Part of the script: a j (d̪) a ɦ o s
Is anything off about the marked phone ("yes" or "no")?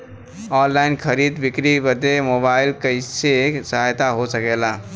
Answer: yes